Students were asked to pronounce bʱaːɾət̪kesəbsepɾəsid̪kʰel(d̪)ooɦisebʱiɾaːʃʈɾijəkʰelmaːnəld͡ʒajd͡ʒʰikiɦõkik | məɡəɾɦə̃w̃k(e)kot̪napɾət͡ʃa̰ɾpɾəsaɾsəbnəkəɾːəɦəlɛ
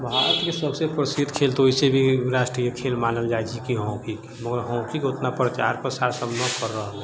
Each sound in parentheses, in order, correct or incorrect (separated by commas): incorrect, incorrect